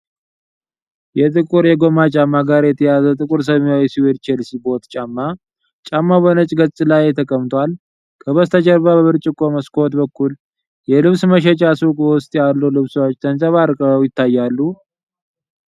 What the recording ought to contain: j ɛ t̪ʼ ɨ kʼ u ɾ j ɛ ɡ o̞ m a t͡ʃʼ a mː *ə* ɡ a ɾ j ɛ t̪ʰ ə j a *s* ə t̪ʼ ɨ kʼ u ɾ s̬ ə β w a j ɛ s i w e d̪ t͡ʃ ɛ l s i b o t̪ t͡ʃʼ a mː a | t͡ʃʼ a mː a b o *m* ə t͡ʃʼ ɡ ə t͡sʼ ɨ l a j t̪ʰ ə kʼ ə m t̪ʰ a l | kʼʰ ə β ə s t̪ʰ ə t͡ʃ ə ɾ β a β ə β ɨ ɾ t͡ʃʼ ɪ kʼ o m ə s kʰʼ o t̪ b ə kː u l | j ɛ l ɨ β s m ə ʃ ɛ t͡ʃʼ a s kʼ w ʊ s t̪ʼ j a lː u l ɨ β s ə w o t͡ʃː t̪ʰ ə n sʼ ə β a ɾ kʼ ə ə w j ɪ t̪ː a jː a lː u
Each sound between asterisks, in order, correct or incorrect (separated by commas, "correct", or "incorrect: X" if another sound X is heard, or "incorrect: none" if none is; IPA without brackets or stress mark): incorrect: a, incorrect: z, incorrect: n